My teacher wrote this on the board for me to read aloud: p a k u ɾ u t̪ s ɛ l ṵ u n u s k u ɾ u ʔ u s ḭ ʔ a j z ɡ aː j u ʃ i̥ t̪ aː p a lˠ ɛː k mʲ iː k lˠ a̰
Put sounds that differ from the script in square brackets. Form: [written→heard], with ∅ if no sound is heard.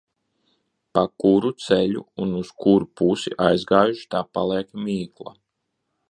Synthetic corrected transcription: p a k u ɾ u t̪ s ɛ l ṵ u n u s k u ɾ u [ʔ→p] u s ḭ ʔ a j z ɡ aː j u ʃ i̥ t̪ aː p a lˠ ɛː k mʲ iː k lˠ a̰